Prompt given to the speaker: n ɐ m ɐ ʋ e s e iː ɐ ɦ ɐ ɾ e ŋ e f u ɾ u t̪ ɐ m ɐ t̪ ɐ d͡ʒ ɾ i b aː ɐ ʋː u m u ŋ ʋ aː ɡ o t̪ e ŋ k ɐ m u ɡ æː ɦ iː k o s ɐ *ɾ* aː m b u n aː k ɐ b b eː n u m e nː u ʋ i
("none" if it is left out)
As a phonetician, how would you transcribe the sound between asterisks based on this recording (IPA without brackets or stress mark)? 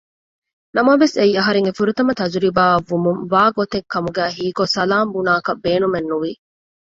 l